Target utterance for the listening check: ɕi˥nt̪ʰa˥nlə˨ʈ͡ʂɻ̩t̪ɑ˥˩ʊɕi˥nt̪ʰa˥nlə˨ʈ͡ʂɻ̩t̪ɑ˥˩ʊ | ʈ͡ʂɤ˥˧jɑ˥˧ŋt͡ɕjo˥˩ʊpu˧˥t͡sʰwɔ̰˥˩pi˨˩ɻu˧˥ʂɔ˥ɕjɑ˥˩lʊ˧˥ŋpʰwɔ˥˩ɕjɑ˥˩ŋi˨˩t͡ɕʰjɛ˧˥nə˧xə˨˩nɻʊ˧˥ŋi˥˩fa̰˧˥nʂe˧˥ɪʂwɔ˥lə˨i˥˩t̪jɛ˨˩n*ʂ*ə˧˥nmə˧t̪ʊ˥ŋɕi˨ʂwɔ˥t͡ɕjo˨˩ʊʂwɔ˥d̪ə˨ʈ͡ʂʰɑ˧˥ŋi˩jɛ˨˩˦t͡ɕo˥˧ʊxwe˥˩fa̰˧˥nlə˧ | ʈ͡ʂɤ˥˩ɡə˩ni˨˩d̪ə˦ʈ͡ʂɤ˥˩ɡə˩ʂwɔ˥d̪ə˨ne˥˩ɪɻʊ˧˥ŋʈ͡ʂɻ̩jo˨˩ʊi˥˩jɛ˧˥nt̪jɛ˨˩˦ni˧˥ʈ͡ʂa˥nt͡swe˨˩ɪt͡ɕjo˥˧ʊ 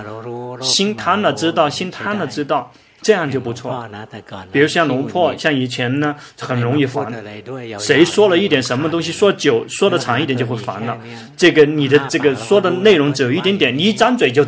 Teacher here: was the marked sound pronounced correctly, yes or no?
yes